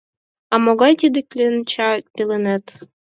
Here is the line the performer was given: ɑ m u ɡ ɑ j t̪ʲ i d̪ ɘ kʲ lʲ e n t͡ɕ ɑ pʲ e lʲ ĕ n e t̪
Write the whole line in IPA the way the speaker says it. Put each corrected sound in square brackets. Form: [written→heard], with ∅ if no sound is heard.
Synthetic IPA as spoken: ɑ m [u→o] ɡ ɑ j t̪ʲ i d̪ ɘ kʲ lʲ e n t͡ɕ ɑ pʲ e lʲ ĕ n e t̪